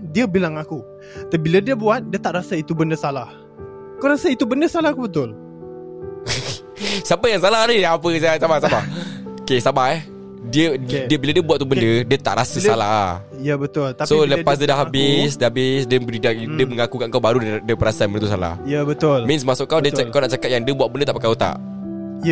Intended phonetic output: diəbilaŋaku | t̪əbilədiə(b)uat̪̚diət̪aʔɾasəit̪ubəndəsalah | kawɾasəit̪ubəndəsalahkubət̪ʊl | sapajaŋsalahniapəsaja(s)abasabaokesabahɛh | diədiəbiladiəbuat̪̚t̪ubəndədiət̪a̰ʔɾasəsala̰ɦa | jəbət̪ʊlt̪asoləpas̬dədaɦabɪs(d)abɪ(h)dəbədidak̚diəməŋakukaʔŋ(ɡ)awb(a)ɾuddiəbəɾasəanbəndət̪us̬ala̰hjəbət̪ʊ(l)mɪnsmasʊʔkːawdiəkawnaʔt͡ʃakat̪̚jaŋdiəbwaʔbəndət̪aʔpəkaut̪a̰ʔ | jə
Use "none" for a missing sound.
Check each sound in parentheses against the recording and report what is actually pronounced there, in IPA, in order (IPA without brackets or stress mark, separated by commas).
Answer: b, s, d, s, k, a, l